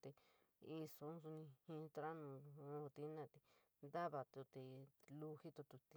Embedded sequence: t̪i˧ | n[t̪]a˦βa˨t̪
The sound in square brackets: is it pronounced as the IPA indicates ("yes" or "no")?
no